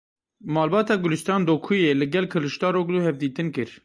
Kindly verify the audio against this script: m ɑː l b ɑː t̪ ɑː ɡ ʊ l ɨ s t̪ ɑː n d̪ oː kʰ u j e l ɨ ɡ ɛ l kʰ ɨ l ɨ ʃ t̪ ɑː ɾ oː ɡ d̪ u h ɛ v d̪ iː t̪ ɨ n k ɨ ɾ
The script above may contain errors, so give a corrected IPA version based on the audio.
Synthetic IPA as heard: m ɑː l b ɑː t̪ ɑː ɡ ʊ l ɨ s t̪ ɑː n d̪ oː kʰ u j e l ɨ ɡ ɛ l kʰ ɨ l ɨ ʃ t̪ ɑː ɾ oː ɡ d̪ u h ɛ v d̪ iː t̪ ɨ n k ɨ ɾ

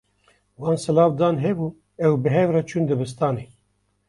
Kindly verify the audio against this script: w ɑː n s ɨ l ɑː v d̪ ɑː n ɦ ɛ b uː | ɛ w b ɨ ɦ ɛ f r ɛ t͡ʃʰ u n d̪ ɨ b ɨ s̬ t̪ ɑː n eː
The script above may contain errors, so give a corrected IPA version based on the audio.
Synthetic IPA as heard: w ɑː n s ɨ l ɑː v d̪ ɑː n ɦ ɛ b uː | ɛ w b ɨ ɦ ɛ v r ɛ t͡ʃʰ u n d̪ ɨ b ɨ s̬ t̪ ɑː n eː

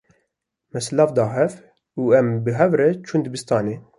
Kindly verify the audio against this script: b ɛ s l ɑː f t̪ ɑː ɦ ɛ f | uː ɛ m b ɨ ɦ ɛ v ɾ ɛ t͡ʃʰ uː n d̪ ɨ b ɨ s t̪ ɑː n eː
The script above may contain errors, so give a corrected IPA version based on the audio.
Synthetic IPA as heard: m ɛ s l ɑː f d̪ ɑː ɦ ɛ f | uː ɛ m b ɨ ɦ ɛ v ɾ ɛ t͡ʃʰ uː n d̪ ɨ b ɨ s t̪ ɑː n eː

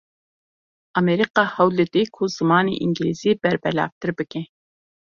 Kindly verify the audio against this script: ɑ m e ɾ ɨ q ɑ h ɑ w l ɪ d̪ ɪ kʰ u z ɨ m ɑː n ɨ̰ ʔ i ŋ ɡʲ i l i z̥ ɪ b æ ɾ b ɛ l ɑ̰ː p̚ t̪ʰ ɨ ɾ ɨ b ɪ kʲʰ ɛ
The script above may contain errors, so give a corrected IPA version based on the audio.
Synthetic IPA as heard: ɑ m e ɾ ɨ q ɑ h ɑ w l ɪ d̪ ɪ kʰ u z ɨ m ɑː n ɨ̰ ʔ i ŋ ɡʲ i l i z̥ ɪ b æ ɾ b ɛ l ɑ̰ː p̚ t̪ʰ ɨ ɾ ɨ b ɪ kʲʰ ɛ

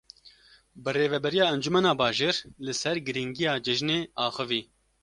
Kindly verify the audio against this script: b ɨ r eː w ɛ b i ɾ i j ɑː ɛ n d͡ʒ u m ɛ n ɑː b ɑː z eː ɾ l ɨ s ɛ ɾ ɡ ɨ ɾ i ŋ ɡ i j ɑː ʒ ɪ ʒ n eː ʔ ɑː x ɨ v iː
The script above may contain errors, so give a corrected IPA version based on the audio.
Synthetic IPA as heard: b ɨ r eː v ɛ b ɛ ɾ i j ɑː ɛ n d͡ʒ u m ɛ n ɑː b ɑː ʒ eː ɾ l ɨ s ɛ ɾ ɡ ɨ ɾ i ŋ ɡ i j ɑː d͡ʒ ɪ ʒ n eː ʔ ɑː x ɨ v iː

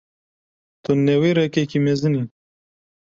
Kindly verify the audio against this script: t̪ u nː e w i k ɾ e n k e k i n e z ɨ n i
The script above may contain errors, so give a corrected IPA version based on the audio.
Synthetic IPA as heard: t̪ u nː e w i ɾ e k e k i m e z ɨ n i

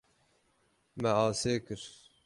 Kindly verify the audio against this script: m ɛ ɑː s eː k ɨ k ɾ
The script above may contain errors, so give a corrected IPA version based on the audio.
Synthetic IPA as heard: m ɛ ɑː s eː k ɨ ɾ

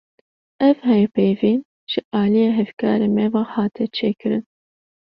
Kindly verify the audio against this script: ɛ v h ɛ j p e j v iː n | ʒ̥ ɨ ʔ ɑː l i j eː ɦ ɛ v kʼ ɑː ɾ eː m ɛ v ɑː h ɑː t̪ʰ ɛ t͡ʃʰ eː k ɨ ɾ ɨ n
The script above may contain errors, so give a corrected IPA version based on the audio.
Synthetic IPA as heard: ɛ v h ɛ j p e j v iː n | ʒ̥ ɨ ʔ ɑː l i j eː ɦ ɛ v k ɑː ɾ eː m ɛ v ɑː h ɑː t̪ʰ ɛ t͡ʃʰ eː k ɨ ɾ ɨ n

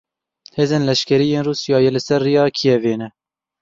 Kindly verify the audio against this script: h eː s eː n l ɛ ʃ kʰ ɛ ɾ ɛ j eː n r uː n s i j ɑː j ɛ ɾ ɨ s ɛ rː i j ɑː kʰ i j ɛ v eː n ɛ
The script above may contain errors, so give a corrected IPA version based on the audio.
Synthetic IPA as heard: h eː z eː n l ɛ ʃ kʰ ɛ ɾ i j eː n r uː s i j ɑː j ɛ l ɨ s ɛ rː i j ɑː kʰ i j ɛ v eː n ɛ

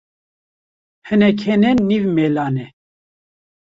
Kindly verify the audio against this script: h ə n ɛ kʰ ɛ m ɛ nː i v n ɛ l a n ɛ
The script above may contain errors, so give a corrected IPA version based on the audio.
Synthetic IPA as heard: h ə n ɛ kʰ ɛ n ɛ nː i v m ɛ l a n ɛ

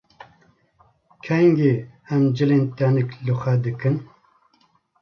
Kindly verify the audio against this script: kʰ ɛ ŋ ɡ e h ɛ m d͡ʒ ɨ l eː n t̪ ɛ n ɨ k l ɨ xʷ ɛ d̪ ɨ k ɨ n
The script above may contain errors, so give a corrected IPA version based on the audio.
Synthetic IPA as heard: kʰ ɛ ŋ ɡ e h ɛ m d͡ʒ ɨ l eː n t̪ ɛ n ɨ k l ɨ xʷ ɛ d̪ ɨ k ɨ n

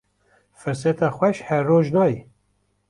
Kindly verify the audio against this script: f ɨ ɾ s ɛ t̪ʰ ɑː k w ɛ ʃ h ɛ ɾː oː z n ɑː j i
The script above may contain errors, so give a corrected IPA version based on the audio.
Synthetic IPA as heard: f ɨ ɾ s ɛ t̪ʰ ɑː x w ɛ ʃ h ɛ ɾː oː ʒ n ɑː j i

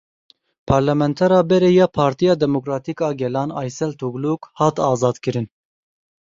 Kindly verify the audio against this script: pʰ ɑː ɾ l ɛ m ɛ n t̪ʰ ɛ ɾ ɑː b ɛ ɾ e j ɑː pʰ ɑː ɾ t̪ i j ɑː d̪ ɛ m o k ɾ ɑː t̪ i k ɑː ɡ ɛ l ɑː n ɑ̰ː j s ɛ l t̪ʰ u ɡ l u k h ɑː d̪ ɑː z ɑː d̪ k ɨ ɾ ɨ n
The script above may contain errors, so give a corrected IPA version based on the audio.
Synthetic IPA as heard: pʰ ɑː ɾ l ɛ m ɛ n t̪ʰ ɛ ɾ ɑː b ɛ ɾ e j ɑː pʰ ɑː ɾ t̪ i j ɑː d̪ ɛ m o k ɾ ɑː t̪ i k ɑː ɡ ɛ l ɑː n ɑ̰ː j s ɛ l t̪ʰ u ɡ l u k h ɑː t̪ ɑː z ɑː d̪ k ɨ ɾ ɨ n

